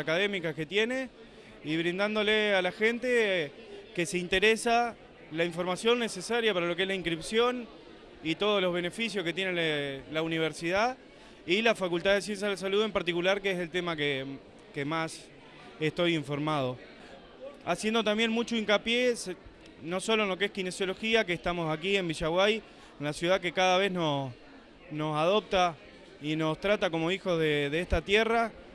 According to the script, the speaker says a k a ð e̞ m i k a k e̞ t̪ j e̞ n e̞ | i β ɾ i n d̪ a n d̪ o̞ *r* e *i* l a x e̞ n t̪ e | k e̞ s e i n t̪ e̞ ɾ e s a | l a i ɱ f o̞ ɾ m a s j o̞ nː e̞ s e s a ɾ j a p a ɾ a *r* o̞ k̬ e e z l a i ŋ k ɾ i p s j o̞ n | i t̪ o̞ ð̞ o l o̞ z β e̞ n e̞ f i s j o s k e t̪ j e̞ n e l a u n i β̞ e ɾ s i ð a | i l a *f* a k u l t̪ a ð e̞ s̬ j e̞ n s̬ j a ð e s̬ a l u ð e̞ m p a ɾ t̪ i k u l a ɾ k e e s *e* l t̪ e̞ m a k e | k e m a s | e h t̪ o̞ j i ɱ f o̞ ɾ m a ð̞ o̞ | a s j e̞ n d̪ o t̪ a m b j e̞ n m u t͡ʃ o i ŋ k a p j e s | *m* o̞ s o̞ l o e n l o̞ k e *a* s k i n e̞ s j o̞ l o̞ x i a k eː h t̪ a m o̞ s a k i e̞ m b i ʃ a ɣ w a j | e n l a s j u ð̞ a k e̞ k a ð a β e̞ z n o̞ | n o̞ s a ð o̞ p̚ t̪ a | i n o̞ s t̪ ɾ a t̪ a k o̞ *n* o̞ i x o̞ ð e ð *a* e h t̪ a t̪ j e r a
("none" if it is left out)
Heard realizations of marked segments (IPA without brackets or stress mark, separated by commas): l, a, l, f, e, n, e, m, e